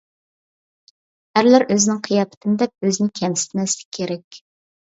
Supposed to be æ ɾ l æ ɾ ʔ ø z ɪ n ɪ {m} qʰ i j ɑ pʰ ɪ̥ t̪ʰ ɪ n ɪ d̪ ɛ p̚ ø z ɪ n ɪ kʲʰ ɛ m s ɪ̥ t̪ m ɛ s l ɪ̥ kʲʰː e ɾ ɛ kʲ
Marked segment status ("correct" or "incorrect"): incorrect